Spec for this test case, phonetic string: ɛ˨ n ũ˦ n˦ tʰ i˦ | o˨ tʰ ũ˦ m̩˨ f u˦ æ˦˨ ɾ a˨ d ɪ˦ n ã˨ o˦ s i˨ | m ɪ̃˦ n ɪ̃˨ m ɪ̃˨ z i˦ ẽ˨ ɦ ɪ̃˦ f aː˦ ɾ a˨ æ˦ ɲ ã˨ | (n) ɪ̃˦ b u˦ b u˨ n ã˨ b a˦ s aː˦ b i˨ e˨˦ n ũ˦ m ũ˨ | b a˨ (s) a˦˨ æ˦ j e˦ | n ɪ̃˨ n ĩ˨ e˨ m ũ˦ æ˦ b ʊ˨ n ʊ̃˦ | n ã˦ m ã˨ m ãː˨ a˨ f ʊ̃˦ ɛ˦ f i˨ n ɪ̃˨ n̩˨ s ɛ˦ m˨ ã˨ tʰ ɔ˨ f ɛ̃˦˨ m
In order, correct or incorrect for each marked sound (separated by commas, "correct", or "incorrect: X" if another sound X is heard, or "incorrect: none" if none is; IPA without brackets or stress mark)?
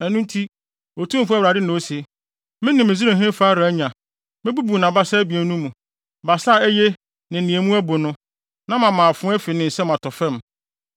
incorrect: m, correct